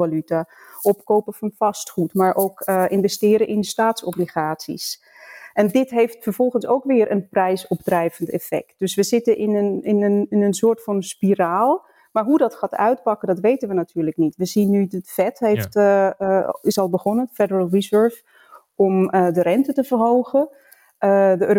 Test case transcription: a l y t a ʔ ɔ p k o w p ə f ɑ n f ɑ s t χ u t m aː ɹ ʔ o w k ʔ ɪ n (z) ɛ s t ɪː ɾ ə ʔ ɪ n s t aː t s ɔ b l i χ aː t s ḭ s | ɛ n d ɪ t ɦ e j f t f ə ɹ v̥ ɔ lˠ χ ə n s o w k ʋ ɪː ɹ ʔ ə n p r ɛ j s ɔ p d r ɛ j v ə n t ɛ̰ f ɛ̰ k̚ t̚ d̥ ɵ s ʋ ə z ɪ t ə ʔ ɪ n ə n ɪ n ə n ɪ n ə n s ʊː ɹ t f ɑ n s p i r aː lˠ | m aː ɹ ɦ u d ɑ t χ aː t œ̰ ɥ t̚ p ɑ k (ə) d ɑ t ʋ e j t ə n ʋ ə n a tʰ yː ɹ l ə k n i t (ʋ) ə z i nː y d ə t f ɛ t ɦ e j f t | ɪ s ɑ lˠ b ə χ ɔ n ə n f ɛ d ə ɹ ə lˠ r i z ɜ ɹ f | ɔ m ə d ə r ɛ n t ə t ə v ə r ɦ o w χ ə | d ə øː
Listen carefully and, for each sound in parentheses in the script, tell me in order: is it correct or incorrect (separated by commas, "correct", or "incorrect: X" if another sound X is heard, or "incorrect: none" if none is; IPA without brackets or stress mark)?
incorrect: v, correct, correct